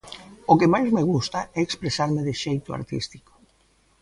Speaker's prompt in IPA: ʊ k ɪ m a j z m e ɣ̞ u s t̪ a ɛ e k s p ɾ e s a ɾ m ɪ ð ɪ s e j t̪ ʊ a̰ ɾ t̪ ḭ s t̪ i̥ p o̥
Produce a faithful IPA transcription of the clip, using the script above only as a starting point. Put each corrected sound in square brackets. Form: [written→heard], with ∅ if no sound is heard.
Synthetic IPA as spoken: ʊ k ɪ m a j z m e ɣ̞ u s t̪ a ɛ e k s p ɾ e s a ɾ m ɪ ð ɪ [s→ʃ] e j t̪ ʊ a̰ ɾ t̪ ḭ s t̪ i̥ [p→k] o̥